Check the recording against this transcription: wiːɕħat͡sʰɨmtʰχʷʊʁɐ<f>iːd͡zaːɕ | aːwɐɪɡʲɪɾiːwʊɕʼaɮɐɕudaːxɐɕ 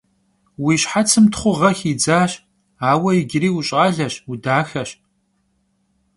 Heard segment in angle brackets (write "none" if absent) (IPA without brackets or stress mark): x